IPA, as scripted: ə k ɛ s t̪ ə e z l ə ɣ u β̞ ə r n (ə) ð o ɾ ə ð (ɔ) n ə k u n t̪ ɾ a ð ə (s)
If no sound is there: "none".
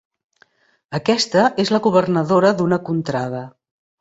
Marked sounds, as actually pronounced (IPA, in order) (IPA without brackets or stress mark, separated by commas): ə, u, none